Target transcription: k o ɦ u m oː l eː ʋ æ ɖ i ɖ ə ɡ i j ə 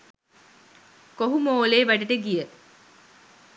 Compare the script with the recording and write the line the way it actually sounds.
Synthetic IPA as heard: k o ɦ u m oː l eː ʋ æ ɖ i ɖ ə ɡ i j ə